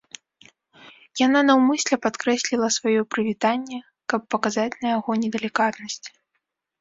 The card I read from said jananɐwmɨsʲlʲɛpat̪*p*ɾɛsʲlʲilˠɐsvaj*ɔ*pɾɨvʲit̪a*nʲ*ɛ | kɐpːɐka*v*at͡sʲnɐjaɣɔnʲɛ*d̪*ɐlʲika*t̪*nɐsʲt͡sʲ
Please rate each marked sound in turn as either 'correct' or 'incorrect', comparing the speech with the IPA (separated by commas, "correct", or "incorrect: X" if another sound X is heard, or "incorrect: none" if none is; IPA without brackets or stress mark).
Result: incorrect: k, correct, incorrect: nʲː, incorrect: z, correct, correct